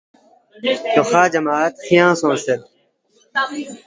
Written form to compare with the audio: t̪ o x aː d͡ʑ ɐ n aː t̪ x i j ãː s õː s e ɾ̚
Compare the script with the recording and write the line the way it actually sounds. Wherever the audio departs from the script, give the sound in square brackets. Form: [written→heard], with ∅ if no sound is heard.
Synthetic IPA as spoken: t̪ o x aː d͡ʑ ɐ [n→m] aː t̪ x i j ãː s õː s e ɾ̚

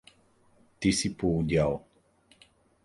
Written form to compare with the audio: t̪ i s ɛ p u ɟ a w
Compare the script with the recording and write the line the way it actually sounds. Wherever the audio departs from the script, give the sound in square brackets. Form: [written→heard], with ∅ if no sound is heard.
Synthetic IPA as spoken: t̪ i s [ɛ→i] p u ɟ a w

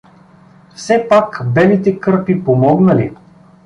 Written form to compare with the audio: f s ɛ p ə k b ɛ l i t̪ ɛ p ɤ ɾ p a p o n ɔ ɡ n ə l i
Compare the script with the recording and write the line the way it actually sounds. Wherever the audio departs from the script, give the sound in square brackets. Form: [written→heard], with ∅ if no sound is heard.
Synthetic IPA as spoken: f s ɛ p [ə→a] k b ɛ l i t̪ ɛ [p→k] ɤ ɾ p [a→i] p o [n→m] ɔ ɡ n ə l i

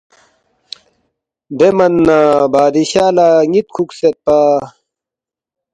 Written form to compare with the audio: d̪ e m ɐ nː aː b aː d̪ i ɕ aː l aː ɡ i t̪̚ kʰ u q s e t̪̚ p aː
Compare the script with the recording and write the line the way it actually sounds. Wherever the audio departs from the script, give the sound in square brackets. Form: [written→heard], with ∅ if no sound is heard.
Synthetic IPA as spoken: d̪ e m ɐ nː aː b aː d̪ i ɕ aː l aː [ɡ→ŋ] i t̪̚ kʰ u [q→k] s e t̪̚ p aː

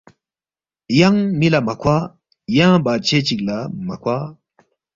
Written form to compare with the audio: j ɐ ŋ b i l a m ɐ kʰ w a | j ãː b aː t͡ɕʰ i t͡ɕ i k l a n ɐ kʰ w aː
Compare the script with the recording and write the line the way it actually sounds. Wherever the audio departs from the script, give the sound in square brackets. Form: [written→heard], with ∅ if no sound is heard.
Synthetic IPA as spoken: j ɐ ŋ [b→m] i l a m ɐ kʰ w a | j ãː b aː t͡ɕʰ [i→e] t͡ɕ i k l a [n→m] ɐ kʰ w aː

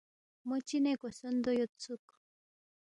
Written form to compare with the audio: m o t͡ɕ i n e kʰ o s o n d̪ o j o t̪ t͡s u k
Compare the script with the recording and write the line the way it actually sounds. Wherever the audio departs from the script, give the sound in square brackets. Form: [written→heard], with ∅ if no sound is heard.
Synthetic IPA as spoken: m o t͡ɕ i n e [kʰ→k] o s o n d̪ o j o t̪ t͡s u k

